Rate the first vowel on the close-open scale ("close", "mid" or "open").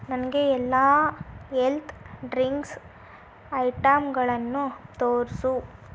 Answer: open